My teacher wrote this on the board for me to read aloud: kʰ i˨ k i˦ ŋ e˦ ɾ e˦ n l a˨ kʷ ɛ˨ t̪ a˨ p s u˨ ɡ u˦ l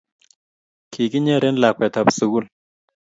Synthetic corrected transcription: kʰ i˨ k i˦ ɲ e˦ ɾ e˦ n l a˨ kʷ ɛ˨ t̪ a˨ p s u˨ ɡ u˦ l